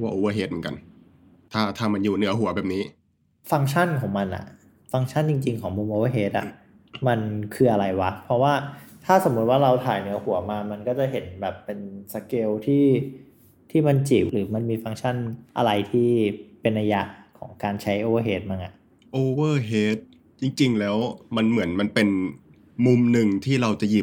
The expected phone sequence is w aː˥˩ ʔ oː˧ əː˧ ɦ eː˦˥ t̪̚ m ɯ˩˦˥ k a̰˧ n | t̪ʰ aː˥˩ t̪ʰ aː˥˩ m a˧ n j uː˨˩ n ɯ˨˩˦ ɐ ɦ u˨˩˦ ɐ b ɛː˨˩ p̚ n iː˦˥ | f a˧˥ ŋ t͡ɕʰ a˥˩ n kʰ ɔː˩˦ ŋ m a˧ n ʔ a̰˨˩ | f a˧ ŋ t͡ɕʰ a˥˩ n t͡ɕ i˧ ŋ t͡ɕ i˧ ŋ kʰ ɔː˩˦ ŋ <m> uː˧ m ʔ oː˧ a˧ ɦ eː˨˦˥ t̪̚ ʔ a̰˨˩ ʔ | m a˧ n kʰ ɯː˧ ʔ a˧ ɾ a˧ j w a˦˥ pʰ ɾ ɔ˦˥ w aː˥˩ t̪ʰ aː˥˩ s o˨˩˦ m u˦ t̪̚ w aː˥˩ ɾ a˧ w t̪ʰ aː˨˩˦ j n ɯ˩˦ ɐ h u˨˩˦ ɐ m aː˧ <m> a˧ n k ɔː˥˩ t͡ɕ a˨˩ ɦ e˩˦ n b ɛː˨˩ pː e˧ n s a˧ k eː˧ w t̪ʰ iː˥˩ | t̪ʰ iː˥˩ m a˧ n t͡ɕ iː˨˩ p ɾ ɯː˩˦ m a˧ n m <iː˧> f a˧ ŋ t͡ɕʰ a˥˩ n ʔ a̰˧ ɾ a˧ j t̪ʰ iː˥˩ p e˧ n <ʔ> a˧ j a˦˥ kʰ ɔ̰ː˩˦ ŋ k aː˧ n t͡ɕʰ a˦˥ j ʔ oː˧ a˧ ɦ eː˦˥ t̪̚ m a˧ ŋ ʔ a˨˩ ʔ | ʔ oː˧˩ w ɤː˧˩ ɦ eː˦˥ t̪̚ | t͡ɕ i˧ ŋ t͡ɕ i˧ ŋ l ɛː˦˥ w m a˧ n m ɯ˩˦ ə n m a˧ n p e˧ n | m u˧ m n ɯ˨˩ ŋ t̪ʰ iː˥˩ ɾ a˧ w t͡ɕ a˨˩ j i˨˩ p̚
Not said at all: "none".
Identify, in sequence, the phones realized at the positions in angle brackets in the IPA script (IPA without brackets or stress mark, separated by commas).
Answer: m, m, iː˧, ʔ